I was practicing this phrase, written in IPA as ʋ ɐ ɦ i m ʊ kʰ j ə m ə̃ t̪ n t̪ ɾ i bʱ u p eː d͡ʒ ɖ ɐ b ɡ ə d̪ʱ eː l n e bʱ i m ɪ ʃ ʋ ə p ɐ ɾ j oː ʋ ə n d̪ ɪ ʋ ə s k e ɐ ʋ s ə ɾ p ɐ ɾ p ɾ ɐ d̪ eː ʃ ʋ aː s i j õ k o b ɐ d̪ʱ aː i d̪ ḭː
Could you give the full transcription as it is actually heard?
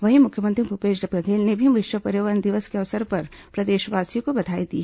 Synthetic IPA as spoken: ʋ ɐ ɦ i m ʊ kʰ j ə m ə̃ n t̪ ɾ i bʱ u p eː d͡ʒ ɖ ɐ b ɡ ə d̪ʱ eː l n e bʱ i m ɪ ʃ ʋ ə p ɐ ɾ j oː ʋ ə n d̪ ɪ ʋ ə s k e ɐ ʋ s ə ɾ p ɐ ɾ p ɾ ɐ d̪ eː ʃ ʋ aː s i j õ k o b ɐ d̪ʱ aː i d̪ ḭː